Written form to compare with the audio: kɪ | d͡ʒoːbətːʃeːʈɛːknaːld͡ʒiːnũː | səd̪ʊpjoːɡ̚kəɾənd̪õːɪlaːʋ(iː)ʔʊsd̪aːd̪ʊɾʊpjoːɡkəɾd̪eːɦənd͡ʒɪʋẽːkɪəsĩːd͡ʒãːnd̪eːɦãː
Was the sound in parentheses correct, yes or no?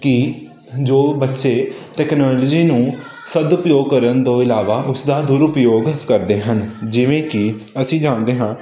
no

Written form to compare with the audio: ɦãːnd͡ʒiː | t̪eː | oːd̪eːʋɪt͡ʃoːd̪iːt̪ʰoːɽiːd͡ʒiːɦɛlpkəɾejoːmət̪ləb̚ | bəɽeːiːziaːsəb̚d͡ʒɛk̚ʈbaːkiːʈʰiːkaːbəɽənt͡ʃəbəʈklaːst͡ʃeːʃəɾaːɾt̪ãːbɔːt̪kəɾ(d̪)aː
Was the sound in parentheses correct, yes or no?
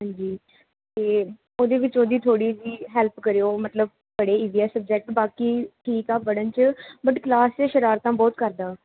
yes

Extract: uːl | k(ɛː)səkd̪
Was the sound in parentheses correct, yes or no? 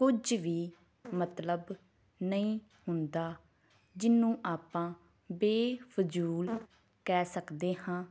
yes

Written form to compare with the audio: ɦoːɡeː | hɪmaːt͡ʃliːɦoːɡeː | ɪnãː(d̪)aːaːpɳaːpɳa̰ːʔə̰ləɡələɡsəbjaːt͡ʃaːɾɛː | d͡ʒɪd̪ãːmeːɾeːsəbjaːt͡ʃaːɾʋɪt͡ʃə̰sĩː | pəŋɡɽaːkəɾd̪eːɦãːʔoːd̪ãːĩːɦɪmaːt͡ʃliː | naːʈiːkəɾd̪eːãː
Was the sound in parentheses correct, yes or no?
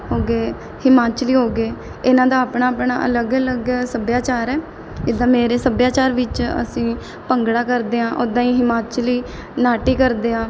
yes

